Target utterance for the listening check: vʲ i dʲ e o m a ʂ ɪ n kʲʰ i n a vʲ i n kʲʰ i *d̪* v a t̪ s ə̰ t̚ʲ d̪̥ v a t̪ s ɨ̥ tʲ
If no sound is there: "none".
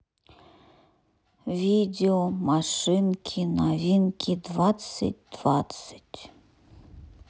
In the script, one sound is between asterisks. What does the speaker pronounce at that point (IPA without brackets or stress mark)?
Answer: d̪